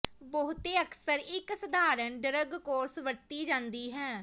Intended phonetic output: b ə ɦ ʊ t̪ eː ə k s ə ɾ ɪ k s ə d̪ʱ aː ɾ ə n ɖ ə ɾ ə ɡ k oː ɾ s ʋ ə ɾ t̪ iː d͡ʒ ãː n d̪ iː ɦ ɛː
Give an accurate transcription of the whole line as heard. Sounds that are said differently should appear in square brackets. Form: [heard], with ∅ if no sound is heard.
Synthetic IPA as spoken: b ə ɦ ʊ t̪ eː ə k s ə ɾ ɪ k s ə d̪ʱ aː ɾ ə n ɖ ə ɾ ə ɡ k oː ɾ s ʋ ə ɾ t̪ iː d͡ʒ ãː n d̪ iː ɦ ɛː